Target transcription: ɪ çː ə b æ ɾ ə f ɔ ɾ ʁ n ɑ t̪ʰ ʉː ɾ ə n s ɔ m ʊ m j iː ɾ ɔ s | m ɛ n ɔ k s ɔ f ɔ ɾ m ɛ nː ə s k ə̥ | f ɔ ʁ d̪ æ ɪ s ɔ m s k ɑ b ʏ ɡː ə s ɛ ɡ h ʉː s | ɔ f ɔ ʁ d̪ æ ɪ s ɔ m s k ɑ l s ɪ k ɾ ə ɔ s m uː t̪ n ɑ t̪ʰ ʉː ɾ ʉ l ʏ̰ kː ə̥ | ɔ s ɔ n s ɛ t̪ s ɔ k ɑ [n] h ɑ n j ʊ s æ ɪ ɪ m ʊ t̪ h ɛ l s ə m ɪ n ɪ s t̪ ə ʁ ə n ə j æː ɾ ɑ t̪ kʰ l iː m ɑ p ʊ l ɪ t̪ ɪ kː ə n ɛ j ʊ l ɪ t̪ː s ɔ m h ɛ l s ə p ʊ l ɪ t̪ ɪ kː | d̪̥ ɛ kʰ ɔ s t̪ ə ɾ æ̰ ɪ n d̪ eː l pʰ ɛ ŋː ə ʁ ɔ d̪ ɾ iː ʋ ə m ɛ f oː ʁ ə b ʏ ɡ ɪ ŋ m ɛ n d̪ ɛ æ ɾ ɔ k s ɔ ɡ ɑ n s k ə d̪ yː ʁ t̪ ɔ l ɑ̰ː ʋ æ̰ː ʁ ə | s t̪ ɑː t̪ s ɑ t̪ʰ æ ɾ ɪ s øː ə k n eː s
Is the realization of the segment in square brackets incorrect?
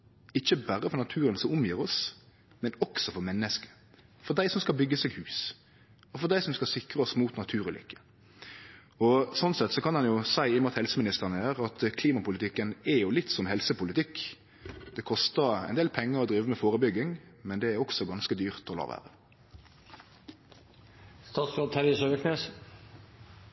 no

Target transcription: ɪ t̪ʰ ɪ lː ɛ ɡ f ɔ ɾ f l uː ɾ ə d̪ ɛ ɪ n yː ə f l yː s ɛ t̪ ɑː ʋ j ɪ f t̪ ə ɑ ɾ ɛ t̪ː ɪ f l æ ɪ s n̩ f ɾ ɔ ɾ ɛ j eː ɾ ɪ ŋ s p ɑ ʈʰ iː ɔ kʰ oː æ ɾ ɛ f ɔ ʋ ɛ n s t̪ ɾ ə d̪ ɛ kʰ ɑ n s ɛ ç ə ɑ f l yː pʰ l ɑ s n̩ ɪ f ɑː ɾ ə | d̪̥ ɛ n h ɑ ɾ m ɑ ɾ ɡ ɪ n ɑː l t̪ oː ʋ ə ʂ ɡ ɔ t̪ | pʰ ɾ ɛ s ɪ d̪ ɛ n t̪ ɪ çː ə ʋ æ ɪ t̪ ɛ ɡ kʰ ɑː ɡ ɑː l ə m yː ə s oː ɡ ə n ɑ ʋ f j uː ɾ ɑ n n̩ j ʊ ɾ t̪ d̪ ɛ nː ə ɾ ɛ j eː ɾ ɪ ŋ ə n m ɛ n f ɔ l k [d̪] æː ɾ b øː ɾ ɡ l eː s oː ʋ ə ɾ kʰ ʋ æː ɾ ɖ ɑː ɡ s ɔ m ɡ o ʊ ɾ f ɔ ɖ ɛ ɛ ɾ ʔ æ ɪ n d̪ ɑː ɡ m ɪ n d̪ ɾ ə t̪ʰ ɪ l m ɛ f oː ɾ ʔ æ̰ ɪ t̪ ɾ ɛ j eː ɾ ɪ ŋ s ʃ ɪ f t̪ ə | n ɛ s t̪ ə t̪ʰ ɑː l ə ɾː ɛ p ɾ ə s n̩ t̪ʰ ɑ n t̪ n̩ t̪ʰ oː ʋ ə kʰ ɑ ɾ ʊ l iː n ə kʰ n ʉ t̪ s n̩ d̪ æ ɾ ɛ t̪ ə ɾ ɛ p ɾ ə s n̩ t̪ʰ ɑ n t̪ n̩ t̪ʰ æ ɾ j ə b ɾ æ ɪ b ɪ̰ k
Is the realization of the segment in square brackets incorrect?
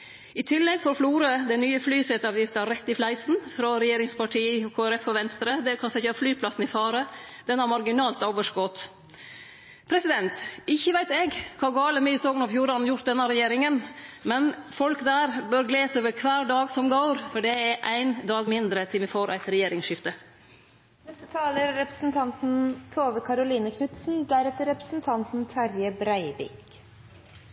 no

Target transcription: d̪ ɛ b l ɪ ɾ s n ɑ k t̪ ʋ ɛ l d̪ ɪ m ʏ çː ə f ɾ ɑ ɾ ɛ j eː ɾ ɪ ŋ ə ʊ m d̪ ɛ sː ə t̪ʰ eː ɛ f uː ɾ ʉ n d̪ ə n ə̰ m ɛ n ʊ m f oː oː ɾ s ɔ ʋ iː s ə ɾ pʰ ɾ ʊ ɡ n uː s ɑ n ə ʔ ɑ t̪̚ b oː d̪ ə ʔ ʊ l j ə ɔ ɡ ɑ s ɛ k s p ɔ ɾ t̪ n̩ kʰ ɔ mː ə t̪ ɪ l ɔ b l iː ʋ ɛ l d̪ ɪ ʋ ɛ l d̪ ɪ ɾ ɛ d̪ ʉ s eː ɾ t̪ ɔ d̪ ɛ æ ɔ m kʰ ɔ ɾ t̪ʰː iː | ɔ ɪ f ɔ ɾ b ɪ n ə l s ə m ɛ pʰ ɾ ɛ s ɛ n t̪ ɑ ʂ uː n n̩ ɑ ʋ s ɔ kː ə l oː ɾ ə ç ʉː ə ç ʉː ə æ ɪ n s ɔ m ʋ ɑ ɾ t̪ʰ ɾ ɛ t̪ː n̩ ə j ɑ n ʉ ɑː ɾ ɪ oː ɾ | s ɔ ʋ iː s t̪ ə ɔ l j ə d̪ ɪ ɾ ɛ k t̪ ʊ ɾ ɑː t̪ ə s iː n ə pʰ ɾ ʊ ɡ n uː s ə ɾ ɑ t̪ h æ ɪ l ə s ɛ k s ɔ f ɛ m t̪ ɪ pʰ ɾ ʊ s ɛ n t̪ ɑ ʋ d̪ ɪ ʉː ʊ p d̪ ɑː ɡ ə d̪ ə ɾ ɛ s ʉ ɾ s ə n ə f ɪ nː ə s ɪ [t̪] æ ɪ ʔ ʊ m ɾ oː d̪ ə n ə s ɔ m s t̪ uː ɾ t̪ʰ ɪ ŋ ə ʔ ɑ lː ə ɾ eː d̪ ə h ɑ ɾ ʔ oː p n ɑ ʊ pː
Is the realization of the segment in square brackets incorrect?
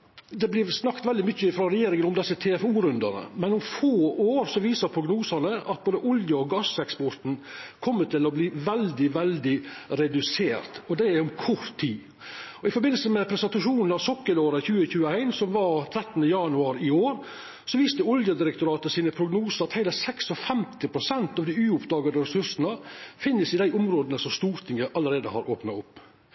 yes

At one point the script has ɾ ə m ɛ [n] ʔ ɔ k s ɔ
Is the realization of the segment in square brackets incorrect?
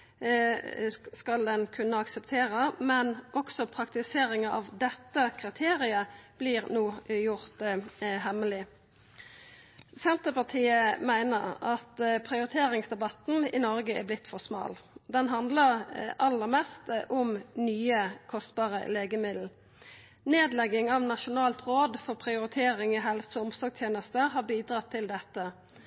no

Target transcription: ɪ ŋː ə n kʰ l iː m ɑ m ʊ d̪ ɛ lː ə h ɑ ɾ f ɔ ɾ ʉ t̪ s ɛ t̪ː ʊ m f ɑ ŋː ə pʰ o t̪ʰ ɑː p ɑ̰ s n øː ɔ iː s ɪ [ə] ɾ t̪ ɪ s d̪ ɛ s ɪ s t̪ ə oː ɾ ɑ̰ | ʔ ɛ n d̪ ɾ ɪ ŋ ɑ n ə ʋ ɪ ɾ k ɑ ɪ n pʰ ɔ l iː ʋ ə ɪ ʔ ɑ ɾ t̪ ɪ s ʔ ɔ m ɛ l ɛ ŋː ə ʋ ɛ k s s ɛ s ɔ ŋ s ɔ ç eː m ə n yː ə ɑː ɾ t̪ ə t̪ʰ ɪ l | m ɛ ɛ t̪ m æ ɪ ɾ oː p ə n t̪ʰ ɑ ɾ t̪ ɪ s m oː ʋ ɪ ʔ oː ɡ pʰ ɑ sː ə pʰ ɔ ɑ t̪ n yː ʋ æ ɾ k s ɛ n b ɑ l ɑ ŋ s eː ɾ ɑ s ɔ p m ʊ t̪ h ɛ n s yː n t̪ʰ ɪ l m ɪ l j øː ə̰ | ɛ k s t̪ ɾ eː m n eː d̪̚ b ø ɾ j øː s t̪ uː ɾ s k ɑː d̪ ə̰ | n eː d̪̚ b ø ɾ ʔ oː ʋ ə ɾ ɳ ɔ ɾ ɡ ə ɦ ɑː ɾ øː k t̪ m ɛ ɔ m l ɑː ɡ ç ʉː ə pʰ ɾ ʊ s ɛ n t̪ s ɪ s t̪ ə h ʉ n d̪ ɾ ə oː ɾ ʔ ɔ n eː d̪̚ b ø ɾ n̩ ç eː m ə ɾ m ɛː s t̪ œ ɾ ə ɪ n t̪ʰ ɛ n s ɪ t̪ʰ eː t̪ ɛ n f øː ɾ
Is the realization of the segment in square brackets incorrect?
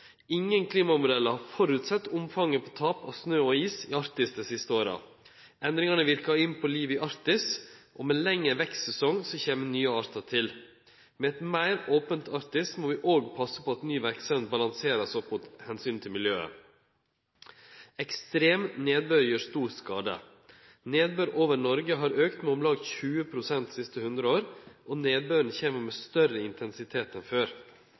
yes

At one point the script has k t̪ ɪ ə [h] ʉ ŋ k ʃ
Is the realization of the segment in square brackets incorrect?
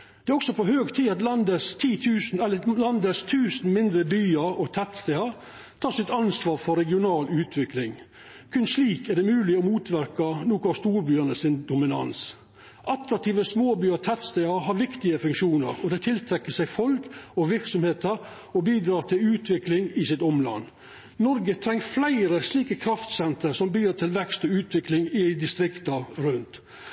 yes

